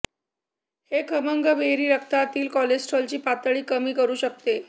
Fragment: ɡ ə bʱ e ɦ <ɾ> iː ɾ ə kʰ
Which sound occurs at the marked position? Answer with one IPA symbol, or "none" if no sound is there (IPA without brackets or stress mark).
ɾ